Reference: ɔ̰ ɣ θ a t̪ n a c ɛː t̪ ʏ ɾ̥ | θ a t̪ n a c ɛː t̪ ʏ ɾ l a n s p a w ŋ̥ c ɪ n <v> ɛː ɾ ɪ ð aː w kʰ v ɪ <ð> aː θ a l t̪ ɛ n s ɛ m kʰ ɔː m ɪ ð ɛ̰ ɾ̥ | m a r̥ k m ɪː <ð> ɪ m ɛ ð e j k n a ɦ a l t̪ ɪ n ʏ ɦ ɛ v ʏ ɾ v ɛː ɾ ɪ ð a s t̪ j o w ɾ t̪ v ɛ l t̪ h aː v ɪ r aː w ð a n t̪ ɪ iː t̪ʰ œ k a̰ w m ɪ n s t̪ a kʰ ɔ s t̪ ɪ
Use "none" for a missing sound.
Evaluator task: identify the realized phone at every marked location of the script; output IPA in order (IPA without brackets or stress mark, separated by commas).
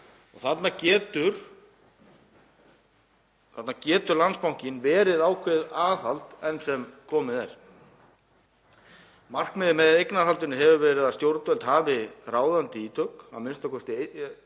v, ð, ð